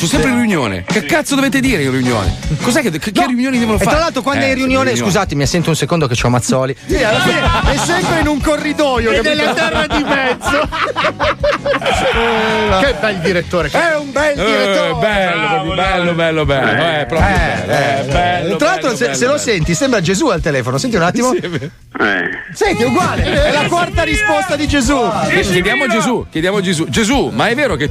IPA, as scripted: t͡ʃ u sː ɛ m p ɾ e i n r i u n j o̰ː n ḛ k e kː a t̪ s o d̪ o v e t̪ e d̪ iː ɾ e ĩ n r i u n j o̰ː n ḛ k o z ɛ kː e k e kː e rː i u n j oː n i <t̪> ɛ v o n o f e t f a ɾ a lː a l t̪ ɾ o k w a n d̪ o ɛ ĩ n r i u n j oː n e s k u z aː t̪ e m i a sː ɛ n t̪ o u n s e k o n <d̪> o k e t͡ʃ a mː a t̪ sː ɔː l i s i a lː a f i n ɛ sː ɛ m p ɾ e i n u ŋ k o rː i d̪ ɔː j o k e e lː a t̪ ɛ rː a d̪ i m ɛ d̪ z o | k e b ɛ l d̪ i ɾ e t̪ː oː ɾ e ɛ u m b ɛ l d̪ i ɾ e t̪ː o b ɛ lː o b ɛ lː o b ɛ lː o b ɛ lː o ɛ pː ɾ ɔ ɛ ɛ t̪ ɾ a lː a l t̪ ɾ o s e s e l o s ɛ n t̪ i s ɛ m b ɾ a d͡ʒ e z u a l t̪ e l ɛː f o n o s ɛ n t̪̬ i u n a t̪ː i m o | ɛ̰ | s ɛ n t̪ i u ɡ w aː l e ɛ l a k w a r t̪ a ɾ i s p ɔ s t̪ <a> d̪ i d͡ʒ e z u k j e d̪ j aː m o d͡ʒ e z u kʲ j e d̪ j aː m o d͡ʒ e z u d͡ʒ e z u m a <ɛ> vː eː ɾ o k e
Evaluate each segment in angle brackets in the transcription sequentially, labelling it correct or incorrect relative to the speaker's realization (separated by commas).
incorrect, correct, correct, correct